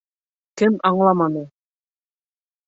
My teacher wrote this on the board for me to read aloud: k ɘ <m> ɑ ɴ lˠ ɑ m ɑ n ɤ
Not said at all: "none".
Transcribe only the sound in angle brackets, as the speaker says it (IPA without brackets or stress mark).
m